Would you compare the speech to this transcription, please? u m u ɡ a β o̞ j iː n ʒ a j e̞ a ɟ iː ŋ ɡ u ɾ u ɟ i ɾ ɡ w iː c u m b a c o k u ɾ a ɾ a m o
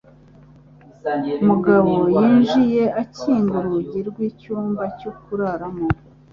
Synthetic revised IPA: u m u ɡ a β o̞ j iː n ʒ i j e̞ a c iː ŋ ɡ u ɾ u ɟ i ɾ ɡ w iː c uː m b a c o k u ɾ a ɾ a m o